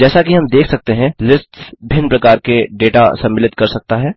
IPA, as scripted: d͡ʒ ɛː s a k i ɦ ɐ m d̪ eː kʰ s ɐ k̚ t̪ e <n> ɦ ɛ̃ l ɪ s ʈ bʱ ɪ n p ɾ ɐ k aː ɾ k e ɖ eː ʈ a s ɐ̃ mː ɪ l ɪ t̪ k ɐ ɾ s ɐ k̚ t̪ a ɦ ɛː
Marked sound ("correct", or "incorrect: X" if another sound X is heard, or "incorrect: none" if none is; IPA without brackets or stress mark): incorrect: none